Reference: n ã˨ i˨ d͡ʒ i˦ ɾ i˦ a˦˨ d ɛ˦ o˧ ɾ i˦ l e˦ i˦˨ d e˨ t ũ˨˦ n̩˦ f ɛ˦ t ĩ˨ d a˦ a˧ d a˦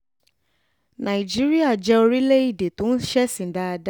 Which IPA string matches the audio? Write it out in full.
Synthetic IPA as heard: n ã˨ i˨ d͡ʒ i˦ ɾ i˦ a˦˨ d͡ʒ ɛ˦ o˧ ɾ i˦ l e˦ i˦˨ d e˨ t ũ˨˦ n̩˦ ʃ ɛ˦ s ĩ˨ d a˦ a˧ d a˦